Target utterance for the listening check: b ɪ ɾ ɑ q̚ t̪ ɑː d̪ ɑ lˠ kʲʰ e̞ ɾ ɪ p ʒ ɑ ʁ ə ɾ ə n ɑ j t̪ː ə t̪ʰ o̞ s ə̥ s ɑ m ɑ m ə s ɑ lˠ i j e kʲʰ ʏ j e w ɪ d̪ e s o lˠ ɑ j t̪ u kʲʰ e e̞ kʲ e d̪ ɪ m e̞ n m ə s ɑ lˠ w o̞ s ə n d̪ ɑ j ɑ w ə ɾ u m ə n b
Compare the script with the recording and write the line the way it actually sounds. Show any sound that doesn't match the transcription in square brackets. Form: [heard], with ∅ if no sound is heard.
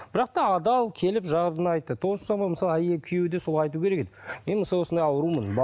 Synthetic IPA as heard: b ɪ ɾ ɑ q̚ t̪ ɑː d̪ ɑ lˠ kʲʰ e̞ [l] ɪ p ʒ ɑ ʁ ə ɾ ə n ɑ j t̪ː ə t̪ʰ o̞ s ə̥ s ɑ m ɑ m ə s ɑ lˠ [æ] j e kʲʰ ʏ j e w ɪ d̪ e s o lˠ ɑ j t̪ u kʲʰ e e̞ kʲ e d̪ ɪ m e̞ n m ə s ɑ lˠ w o̞ s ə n d̪ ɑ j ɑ w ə ɾ u m ə n b